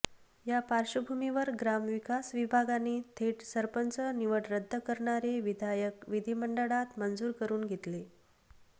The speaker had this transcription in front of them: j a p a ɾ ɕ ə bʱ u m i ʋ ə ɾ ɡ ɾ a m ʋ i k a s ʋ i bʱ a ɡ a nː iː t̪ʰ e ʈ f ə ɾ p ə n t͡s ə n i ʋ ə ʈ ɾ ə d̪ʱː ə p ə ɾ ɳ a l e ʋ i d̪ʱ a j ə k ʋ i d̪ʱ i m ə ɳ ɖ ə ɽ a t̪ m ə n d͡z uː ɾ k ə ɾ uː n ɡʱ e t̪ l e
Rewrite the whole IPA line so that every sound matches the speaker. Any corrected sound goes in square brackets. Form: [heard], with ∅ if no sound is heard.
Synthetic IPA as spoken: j a p a ɾ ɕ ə bʱ u m i ʋ ə ɾ ɡ ɾ a m ʋ i k a s ʋ i bʱ a ɡ a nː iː t̪ʰ e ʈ [s] ə ɾ p ə n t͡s ə n i ʋ ə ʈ ɾ ə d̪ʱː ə [k] ə ɾ ɳ a [ɾ] e ʋ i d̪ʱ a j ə k ʋ i d̪ʱ i m ə ɳ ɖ ə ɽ a t̪ m ə n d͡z uː ɾ k ə ɾ uː n ɡʱ e t̪ l e